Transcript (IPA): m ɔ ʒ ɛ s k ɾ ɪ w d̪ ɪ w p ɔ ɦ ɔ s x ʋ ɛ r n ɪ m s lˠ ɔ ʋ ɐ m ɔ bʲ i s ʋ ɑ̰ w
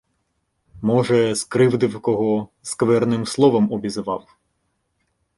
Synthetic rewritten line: m ɔ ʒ ɛ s k ɾ ɪ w d̪ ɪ w k ɔ ɦ ɔ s k ʋ ɛ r n ɪ m s lˠ ɔ ʋ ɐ m ɔ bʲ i z ʋ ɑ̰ w